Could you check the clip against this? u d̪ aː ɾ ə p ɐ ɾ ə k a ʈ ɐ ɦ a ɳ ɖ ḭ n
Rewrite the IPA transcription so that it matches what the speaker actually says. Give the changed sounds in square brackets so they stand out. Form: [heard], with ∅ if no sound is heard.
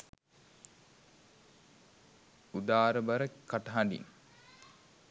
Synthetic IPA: u d̪ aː ɾ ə [b] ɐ ɾ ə k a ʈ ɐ ɦ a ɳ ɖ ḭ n